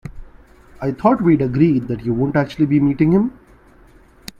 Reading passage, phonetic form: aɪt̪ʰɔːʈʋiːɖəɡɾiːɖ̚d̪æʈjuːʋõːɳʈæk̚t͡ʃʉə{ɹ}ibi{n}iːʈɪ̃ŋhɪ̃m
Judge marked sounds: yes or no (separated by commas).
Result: no, no